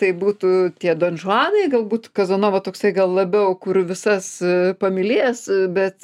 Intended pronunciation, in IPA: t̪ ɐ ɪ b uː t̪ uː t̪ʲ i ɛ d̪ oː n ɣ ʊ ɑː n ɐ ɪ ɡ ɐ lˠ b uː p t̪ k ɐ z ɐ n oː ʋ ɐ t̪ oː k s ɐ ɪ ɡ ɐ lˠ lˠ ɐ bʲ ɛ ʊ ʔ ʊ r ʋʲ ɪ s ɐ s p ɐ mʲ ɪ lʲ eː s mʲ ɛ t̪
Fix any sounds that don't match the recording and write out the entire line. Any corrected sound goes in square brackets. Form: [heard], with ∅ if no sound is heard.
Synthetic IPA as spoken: t̪ ɐ ɪ b uː t̪ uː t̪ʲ i ɛ d̪ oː n [ʒ] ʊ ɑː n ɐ ɪ ɡ ɐ lˠ b uː [∅] t̪ k ɐ z ɐ n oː ʋ ɐ t̪ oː k s ɐ ɪ ɡ ɐ lˠ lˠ ɐ bʲ ɛ ʊ [k] ʊ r ʋʲ ɪ s ɐ s p ɐ mʲ ɪ lʲ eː s [bʲ] ɛ t̪